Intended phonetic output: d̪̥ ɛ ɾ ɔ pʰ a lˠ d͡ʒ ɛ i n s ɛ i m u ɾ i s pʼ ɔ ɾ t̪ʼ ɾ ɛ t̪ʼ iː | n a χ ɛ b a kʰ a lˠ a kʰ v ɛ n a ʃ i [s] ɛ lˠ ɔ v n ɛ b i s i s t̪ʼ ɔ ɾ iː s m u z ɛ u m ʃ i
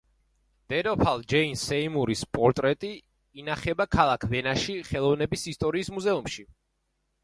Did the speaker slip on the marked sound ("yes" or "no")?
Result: yes